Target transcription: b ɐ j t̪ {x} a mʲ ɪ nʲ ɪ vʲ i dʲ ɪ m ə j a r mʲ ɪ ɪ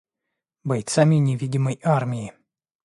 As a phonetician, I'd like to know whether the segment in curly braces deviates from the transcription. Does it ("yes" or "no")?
yes